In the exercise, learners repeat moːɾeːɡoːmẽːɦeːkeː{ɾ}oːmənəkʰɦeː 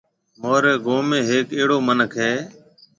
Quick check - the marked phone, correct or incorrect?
incorrect